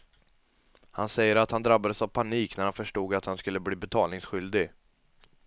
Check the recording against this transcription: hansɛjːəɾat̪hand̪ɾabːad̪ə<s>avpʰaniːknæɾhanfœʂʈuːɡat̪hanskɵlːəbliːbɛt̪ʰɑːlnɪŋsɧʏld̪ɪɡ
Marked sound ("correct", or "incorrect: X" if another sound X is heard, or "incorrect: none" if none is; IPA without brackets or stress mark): correct